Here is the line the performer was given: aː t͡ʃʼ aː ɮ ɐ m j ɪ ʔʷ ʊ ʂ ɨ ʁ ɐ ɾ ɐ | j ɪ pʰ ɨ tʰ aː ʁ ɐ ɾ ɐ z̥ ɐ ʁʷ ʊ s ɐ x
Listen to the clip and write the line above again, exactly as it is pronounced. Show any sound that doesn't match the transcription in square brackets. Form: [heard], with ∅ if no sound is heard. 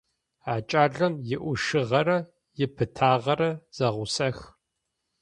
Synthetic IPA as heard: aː t͡ʃʼ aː ɮ ɐ m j ɪ ʔʷ ʊ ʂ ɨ ʁ ɐ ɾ ɐ | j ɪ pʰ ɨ tʰ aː ʁ ɐ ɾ ɐ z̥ ɐ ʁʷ ʊ s ɐ x